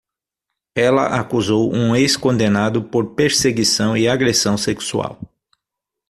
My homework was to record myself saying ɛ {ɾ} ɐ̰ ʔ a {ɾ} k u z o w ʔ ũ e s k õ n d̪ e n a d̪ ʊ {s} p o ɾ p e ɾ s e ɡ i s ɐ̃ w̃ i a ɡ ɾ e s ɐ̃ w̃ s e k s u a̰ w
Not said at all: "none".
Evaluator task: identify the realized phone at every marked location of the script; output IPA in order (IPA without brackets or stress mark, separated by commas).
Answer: l, none, none